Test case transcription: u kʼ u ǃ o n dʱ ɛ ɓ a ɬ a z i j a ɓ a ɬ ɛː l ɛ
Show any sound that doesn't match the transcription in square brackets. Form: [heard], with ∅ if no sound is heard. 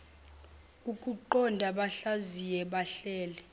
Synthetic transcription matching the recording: u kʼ u ǃ [ɔ] n dʱ [a] ɓ a ɬ a z i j [ɛ] ɓ a ɬ ɛː l ɛ